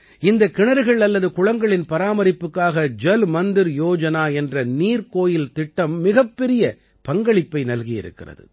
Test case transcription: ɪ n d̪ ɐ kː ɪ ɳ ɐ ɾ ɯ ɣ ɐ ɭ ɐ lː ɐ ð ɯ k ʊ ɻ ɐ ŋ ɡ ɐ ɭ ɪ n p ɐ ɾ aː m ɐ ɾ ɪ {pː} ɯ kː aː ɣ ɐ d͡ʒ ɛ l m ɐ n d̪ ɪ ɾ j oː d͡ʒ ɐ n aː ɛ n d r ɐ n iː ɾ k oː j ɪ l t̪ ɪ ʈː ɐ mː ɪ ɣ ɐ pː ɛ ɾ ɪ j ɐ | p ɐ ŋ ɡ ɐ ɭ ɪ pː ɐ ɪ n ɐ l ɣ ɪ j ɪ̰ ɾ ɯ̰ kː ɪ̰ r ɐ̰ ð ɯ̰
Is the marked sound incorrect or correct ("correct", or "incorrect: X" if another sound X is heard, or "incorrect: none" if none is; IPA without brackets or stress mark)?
correct